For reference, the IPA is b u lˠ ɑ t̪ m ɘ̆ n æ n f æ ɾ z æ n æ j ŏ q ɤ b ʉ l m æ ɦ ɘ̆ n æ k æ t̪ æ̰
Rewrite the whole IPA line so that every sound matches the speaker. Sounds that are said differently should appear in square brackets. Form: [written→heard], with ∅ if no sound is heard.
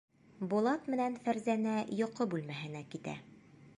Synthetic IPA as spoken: b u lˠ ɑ t̪ m ɘ̆ n æ n f æ ɾ z æ n æ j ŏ q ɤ b ʉ l m æ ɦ ɘ̆ n æ k [æ→i] t̪ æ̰